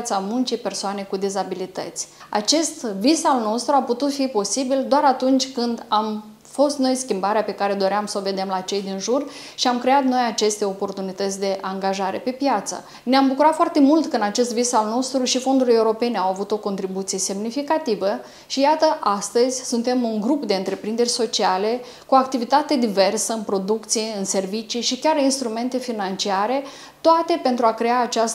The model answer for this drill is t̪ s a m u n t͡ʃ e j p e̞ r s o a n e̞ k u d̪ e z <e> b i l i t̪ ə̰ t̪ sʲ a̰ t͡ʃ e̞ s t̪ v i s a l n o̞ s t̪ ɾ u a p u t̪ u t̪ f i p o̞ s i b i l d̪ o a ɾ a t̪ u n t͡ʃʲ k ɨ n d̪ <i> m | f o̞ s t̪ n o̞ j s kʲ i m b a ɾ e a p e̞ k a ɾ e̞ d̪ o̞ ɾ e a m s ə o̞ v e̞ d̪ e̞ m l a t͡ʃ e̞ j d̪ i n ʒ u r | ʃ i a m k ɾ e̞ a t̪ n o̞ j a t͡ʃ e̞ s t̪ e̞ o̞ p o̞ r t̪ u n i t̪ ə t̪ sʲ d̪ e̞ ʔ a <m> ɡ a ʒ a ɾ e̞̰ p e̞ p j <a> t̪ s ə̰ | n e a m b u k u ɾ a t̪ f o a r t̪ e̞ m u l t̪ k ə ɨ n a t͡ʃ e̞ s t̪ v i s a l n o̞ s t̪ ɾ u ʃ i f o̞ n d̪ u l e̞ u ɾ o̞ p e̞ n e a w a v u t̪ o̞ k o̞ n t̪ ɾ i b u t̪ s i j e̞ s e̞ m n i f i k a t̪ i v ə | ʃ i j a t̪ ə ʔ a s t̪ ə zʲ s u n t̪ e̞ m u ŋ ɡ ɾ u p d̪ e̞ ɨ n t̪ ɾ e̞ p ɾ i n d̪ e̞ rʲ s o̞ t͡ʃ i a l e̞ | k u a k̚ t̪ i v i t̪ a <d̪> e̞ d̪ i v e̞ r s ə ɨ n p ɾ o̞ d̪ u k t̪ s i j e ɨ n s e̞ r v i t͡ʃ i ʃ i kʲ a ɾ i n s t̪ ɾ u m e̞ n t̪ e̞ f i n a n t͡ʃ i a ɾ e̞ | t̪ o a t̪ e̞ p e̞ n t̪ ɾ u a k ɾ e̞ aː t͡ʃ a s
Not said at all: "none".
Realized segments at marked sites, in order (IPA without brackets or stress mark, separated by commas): a, a, ŋ, a, t̪